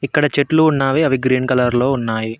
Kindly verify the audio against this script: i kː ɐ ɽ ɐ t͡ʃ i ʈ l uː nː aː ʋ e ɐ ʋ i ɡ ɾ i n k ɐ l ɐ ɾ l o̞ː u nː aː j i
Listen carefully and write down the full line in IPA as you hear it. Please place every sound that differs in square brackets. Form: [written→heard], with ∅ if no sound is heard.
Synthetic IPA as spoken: i kː ɐ ɽ ɐ t͡ʃ [i→e] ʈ l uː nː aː ʋ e ɐ ʋ i ɡ ɾ [i→iː] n k ɐ l ɐ ɾ l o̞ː u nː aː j i